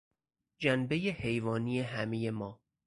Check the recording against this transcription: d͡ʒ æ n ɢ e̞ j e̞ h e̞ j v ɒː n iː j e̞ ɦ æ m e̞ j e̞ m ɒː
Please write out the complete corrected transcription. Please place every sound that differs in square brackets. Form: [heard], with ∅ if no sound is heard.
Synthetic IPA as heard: d͡ʒ æ n [b] e̞ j e̞ h e̞ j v ɒː n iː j e̞ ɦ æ m e̞ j e̞ m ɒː